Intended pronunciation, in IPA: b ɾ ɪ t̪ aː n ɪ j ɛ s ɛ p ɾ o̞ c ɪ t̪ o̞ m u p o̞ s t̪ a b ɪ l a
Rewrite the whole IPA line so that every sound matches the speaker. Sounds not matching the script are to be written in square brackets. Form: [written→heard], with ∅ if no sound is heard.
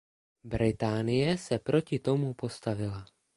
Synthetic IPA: b ɾ ɪ t̪ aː n ɪ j ɛ s ɛ p ɾ o̞ c ɪ t̪ o̞ m u p o̞ s t̪ a [b→v] ɪ l a